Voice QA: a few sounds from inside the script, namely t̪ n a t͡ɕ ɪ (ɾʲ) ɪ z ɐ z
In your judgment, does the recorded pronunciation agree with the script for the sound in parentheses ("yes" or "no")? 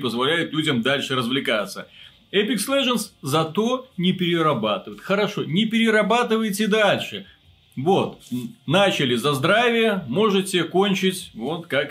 no